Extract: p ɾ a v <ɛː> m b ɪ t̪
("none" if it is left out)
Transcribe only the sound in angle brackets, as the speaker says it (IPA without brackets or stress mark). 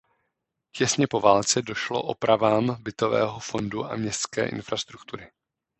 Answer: aː